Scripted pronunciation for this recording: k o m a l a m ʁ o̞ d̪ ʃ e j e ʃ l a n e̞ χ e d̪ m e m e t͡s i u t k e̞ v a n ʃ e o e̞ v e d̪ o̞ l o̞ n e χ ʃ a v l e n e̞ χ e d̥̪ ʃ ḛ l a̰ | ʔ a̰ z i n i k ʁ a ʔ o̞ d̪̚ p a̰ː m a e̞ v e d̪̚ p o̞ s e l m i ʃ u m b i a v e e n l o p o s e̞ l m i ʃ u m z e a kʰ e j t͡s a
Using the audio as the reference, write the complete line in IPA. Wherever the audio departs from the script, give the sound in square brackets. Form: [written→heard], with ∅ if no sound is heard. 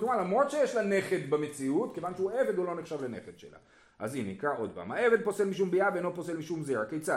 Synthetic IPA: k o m a l a m ʁ o̞ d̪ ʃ e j e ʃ l a n e̞ χ e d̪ [m→b] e m e t͡s i u t k e̞ v a n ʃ e [o→u] e̞ v e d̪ o̞ l o̞ n e χ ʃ a v l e n e̞ χ e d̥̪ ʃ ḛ l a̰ | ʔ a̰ z i n i k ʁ a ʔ o̞ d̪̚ p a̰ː m a e̞ v e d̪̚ p o̞ s e l m i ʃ u m b i a v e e n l o p o s e̞ l m i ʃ u m z e a [kʰ→k] e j t͡s a